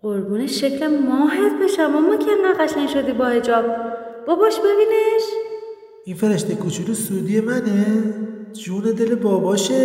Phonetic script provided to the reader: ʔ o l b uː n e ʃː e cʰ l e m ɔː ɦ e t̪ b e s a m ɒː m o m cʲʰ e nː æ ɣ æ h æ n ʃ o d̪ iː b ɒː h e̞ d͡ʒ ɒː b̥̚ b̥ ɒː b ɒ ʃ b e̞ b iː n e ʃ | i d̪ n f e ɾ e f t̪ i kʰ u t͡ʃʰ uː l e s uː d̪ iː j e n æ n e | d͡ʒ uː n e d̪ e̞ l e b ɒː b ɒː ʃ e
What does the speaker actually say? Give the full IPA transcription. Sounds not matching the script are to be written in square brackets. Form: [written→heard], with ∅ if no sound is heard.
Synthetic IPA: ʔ o [l→ɾ] b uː n e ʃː e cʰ l e m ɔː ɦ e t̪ b e [s→ʃ] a m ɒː m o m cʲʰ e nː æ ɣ æ [h→ʃ] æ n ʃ o d̪ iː b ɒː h e̞ d͡ʒ ɒː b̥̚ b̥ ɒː b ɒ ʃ b e̞ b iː n e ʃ | i [d̪→∅] n f e ɾ e [f→ʃ] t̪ [i→e] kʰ u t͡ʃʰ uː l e s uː d̪ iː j e [n→m] æ n e | d͡ʒ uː n e d̪ e̞ l e b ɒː b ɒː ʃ e